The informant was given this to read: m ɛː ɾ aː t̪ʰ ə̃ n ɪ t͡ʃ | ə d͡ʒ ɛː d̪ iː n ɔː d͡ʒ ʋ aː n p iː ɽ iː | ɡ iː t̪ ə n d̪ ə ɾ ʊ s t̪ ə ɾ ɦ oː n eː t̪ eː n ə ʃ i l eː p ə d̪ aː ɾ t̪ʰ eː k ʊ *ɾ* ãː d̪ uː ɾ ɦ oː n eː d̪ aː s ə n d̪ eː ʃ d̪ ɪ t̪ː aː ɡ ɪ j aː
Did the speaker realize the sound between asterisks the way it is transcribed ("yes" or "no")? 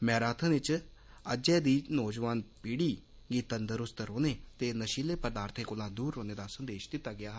no